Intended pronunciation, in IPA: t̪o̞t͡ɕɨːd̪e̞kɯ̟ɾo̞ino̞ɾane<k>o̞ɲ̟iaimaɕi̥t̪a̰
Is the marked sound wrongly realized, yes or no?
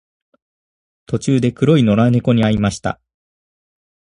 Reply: no